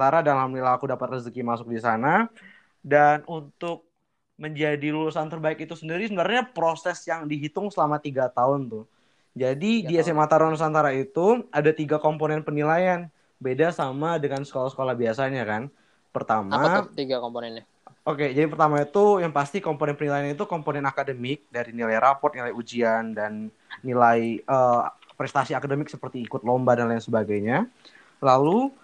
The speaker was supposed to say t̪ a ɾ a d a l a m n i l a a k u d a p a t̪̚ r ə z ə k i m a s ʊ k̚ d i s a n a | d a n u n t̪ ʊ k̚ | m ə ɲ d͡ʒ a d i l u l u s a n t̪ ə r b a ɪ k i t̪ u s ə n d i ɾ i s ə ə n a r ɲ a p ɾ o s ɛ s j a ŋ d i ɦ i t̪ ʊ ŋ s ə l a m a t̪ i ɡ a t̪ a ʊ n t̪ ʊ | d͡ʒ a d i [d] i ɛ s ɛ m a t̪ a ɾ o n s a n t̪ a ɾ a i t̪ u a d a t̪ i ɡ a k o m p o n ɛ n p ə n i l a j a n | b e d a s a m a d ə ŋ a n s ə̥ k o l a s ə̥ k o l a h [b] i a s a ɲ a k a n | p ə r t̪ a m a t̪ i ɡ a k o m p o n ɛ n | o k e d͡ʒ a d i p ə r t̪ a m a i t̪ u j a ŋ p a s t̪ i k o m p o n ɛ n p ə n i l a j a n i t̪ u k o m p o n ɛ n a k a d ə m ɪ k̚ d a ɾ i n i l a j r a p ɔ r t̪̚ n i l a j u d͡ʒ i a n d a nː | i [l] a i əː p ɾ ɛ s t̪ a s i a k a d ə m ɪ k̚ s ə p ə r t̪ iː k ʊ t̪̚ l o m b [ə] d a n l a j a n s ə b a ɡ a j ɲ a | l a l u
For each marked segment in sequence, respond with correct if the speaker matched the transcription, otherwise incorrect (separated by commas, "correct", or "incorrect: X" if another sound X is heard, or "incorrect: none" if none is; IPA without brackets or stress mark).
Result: correct, correct, correct, incorrect: a